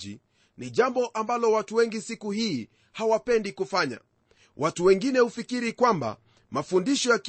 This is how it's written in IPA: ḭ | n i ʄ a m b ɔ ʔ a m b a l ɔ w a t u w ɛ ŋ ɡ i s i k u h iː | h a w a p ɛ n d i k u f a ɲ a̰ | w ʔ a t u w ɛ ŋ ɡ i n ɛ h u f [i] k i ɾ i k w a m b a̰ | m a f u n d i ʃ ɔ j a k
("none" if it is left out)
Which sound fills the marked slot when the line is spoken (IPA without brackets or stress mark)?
i